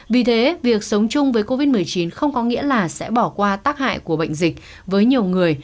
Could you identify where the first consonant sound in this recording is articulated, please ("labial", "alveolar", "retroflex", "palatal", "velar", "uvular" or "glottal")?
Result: labial